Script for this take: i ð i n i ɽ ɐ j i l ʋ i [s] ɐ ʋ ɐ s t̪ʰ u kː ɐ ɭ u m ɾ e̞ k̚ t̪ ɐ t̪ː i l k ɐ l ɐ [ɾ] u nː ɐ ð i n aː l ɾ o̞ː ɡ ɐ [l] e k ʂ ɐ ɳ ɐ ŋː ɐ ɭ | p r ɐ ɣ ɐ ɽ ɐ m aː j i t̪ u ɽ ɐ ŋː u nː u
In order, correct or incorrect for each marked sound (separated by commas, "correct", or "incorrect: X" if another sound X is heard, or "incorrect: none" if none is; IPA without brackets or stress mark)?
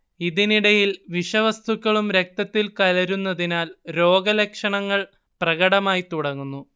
incorrect: ʂ, correct, correct